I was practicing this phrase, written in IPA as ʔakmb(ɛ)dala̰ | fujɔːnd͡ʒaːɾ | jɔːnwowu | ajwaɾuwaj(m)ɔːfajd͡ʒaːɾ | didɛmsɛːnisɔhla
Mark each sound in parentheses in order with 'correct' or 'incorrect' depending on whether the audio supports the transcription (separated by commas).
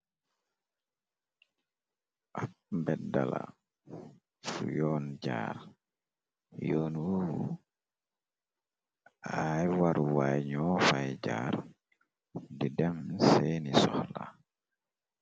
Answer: correct, incorrect